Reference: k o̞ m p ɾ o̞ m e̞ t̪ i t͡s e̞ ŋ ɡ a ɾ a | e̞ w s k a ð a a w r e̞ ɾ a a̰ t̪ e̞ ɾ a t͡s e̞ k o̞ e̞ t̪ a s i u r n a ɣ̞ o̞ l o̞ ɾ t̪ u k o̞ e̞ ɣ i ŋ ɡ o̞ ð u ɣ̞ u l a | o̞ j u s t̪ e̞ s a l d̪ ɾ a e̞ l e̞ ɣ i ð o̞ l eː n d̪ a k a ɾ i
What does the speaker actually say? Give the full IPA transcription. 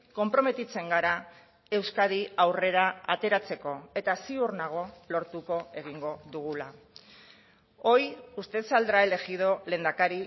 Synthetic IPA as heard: k o̞ m p ɾ o̞ m e̞ t̪ i t͡s e̞ ŋ ɡ a ɾ a | e̞ w s k a ð i a w r e̞ ɾ a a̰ t̪ e̞ ɾ a t͡s e̞ k o̞ e̞ t̪ a s i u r n a ɣ̞ o̞ l o̞ ɾ t̪ u k o̞ e̞ ɣ i ŋ ɡ o̞ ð u ɣ̞ u l a | o̞ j u s t̪ e̞ s a l d̪ ɾ a e̞ l e̞ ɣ i ð o̞ l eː n d̪ a k a ɾ i